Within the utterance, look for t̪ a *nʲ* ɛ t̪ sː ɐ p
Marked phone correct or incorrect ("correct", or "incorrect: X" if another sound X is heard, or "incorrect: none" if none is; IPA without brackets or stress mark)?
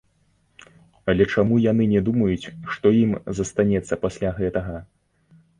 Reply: correct